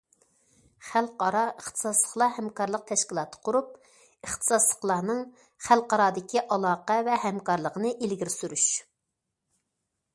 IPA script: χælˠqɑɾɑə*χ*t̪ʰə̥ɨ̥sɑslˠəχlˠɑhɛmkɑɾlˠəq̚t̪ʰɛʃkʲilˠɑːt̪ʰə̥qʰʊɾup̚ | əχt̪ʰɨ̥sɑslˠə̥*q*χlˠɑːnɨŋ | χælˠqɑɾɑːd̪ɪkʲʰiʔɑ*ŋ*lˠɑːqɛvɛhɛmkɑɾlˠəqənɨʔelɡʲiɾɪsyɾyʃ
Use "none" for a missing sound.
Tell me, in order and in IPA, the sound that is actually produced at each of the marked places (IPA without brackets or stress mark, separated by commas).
χ, none, none